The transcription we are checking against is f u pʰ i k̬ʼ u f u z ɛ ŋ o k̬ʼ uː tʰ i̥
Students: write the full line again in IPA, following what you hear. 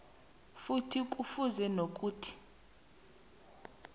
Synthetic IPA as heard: f u tʰ i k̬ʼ u f u z ɛ n o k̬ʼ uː tʰ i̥